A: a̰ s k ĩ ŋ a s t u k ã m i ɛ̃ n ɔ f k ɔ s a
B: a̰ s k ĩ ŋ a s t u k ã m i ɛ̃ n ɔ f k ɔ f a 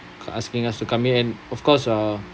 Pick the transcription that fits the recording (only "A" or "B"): A